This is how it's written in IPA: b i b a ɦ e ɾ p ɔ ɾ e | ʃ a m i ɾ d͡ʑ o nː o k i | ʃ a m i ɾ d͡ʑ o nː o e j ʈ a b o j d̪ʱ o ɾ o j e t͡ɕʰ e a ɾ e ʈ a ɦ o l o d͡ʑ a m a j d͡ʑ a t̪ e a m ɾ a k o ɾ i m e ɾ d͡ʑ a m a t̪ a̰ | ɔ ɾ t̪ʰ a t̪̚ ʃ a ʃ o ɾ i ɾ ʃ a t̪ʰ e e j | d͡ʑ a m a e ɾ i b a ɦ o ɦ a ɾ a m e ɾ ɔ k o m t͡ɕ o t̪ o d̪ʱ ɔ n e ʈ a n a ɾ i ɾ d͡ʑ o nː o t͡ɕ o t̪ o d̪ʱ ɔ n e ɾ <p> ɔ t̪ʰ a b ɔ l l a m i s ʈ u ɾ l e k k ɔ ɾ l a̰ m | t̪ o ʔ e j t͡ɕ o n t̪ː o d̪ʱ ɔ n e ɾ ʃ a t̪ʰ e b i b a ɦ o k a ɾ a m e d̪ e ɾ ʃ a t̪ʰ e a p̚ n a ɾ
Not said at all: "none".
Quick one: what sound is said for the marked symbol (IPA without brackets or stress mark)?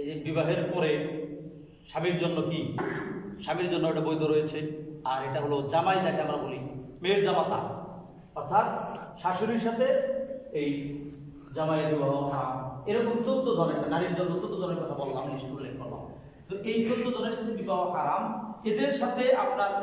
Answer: k